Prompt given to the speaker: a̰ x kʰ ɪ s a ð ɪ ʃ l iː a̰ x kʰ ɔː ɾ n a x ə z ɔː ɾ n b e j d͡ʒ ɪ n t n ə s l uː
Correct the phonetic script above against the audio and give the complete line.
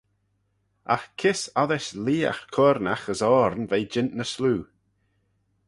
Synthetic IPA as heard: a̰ x kʰ ɪ s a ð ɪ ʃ l iː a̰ x kʰ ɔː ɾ n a x ə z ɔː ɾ n v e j d͡ʒ ɪ n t n ə s l uː

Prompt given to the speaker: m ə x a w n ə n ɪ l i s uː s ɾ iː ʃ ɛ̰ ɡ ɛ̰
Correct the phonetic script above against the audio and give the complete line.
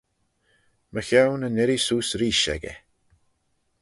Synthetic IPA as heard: m ə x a w n ə n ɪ ɾ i s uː s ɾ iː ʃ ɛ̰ ɡ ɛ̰

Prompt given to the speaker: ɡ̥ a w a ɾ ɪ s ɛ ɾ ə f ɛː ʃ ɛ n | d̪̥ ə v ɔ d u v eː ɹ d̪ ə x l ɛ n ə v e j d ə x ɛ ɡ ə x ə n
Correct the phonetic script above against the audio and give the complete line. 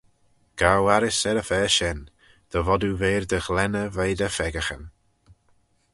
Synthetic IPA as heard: ɡ̥ a w a ɾ ɪ s ɛ ɾ ə f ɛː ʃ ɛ n | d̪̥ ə v ɔ d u v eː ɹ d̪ ə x l ɛ n ə v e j d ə f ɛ ɡ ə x ə n

